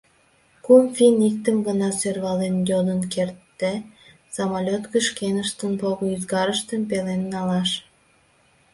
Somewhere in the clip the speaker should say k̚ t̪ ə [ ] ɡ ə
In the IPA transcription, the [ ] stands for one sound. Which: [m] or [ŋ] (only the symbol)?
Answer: m